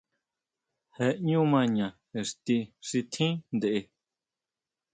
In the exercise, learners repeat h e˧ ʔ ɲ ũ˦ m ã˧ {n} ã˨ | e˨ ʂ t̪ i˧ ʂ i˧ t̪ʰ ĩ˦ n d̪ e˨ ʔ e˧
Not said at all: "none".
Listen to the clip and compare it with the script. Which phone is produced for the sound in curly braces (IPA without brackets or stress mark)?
ɲ